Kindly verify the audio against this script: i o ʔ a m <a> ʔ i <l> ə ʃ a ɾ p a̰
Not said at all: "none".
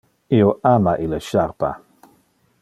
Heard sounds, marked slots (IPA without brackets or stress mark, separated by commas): a, l